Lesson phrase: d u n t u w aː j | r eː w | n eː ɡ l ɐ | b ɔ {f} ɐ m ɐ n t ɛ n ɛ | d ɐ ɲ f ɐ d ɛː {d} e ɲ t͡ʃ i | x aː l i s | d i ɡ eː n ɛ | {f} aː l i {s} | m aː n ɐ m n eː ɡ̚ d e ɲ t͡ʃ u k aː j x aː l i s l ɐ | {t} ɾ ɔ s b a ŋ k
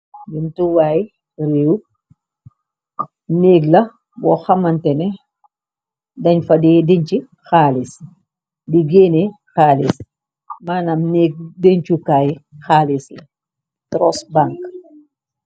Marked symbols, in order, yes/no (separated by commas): no, yes, no, yes, yes